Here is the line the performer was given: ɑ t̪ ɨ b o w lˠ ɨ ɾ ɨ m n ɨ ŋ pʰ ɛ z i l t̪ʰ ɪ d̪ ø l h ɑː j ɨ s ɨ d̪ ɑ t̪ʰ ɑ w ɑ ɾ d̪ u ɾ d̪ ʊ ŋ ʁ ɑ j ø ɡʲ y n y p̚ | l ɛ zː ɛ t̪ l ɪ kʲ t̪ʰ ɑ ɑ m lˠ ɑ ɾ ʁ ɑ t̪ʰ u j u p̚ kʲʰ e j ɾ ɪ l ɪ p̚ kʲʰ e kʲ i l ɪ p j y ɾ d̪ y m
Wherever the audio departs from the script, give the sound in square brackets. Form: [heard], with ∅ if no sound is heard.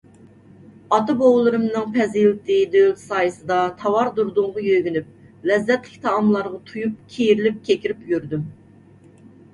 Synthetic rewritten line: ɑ t̪ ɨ b o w lˠ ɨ ɾ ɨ m n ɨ ŋ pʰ ɛ z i l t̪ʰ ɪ d̪ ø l [s] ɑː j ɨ s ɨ d̪ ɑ t̪ʰ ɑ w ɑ ɾ d̪ u ɾ d̪ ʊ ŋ ʁ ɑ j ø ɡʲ y n y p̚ | l ɛ zː ɛ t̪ l ɪ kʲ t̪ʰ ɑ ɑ m lˠ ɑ ɾ ʁ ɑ t̪ʰ u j u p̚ kʲʰ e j ɾ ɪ l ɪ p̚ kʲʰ e kʲ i [ɾ] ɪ p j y ɾ d̪ y m